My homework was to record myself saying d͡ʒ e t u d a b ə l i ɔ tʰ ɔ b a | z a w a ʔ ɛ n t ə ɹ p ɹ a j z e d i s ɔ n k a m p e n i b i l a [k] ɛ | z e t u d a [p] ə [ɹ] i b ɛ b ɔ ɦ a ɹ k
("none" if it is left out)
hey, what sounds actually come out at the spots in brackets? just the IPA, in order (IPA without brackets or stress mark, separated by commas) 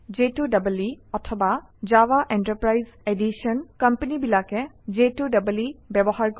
k, b, l